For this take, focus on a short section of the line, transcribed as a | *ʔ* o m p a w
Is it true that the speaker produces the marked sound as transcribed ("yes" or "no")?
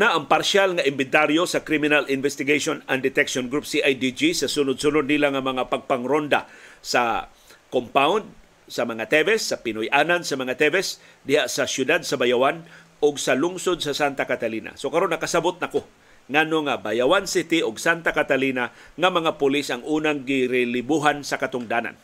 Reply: no